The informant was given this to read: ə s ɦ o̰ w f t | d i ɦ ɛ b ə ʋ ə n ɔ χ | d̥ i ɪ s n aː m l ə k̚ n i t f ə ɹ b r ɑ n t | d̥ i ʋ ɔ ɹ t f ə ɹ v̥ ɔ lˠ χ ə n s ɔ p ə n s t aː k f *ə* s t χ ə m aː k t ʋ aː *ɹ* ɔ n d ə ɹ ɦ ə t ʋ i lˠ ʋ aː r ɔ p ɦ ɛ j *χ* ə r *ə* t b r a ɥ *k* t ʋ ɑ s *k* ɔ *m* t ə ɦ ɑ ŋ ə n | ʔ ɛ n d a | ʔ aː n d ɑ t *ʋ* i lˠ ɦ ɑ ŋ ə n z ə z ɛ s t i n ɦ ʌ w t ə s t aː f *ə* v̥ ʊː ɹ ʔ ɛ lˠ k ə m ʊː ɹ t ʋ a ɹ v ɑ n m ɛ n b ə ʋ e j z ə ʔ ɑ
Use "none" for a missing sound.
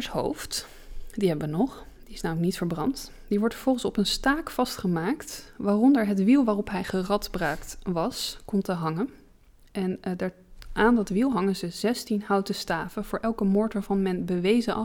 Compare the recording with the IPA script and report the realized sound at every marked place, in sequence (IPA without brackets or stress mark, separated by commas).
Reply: ɑ, r, χ, ɑ, k, k, m, ʋ, ə